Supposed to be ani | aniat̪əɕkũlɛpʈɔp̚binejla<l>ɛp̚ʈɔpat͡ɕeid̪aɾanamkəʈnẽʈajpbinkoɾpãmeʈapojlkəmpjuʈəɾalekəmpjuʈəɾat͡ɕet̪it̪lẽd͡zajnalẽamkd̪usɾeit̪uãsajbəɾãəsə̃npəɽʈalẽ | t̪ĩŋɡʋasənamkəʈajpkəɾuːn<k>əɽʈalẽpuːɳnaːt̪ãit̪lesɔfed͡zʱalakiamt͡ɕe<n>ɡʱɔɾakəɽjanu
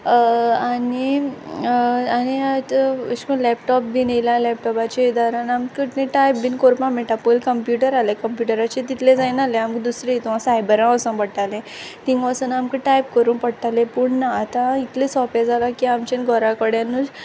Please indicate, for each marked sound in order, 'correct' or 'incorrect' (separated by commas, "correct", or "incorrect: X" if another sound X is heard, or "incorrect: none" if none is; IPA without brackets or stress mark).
correct, incorrect: p, correct